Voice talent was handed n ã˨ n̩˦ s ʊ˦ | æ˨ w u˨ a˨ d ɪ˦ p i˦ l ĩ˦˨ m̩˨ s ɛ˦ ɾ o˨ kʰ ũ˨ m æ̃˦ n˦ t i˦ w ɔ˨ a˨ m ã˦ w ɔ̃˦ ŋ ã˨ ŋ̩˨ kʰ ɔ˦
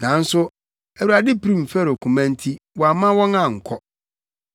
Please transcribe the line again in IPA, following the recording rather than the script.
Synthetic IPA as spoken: n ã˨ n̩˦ s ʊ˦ | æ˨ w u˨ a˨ d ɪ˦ p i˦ ɾ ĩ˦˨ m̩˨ f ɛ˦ ɾ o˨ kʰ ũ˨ m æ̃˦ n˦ tʰ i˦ w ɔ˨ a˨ m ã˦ w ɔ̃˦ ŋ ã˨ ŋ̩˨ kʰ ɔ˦

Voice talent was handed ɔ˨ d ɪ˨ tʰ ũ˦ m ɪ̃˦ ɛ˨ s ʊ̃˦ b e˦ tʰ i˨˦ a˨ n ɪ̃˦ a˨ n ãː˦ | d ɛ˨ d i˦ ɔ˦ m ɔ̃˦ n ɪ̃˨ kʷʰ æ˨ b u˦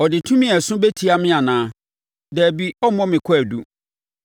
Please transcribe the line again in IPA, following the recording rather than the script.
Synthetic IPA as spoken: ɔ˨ d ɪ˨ tʰ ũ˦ m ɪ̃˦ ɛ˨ s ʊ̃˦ b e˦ tʰ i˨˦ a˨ m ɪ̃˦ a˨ n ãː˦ | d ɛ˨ b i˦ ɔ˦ m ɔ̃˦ m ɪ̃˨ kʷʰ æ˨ d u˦

